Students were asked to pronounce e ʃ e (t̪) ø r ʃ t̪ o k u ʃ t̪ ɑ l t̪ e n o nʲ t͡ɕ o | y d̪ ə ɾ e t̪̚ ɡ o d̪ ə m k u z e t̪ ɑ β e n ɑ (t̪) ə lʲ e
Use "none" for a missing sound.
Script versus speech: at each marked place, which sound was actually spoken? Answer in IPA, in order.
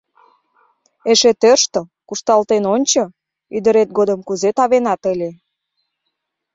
t̪, t̪

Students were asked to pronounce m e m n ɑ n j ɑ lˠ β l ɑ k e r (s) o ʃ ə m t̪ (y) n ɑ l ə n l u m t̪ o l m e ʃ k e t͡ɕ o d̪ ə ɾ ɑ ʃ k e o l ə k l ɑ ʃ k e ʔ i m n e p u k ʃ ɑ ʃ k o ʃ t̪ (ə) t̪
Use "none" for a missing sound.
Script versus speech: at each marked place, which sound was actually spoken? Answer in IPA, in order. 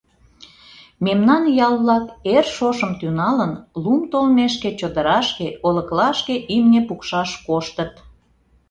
ʃ, y, ə

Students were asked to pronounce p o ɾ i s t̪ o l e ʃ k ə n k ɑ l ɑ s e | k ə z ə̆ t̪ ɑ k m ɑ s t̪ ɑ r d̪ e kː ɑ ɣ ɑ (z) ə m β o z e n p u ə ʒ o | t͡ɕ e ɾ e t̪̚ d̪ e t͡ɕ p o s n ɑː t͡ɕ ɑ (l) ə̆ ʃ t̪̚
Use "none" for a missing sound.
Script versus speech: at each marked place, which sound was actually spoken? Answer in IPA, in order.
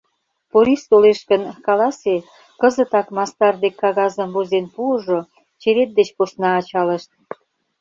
z, l

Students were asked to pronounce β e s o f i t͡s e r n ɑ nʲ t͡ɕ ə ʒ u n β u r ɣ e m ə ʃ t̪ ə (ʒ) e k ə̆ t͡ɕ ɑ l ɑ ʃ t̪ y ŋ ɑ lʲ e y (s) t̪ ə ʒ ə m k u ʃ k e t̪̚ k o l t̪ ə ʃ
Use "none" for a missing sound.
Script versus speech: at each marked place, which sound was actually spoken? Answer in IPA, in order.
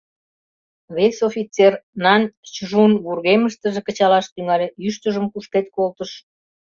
ʒ, ʃ

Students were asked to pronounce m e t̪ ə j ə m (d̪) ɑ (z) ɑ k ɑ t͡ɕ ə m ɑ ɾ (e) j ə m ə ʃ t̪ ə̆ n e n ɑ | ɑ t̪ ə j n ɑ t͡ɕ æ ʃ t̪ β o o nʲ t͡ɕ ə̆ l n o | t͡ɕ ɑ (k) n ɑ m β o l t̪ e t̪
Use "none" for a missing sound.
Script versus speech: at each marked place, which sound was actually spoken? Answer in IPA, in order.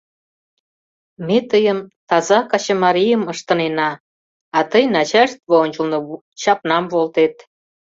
t̪, z, i, p

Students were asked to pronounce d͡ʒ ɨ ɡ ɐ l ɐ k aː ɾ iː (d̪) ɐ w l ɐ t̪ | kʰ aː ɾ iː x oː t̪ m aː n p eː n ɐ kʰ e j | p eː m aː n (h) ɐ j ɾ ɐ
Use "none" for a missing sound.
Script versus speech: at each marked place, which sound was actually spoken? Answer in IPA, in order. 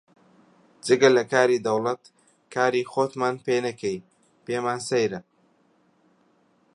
d̪, s

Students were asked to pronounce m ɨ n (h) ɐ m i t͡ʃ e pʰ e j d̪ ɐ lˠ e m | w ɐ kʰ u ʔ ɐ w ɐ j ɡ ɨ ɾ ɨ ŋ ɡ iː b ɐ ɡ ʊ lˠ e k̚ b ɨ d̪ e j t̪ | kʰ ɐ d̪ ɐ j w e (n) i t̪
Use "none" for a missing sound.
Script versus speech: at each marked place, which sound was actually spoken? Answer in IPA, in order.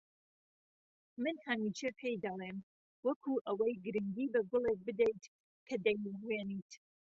h, n

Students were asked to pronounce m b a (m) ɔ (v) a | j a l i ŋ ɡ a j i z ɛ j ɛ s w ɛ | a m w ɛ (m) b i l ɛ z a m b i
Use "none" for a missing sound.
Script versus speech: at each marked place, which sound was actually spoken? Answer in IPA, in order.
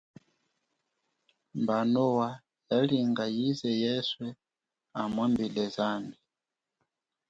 n, w, m

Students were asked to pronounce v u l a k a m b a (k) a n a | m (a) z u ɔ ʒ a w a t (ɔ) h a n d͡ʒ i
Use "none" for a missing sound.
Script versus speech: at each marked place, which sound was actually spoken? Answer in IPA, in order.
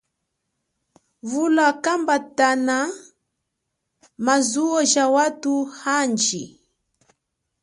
t, a, u

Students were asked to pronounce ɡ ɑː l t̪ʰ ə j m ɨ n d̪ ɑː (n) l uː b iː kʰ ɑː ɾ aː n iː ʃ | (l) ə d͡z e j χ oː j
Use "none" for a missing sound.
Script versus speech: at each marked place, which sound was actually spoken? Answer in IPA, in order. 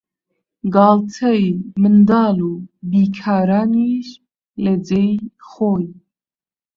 none, l

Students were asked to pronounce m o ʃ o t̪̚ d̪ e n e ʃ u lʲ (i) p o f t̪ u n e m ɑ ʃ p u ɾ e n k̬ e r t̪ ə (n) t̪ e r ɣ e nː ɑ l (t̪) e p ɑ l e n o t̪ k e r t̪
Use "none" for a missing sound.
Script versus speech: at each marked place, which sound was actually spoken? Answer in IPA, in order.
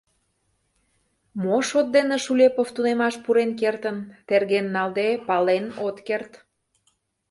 e, n, d̪

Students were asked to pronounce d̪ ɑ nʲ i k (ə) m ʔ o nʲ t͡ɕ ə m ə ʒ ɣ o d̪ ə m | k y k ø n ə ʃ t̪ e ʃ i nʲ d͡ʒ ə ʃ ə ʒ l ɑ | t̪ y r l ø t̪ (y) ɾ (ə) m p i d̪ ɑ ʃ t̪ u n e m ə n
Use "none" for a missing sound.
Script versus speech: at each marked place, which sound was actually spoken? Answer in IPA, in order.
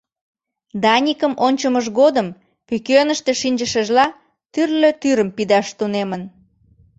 ə, y, ə

